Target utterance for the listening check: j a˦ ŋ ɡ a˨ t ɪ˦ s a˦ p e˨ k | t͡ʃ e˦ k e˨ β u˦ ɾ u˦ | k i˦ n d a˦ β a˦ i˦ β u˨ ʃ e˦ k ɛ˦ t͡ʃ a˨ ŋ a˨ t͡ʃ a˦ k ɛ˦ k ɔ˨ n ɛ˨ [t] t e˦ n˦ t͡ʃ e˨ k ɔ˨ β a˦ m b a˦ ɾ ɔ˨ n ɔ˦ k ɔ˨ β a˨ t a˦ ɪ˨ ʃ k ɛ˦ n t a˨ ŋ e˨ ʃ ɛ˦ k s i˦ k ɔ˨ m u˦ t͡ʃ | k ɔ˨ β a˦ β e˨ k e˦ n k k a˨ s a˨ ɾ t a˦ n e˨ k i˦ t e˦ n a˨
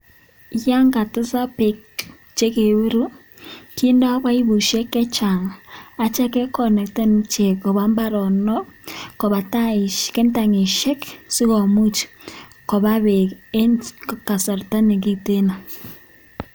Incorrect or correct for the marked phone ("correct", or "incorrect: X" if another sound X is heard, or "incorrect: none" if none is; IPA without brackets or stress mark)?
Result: incorrect: k